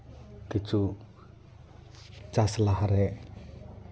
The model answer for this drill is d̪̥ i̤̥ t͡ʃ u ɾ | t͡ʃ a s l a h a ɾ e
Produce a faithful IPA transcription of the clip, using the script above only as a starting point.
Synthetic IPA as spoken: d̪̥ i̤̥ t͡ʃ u | t͡ʃ a s l a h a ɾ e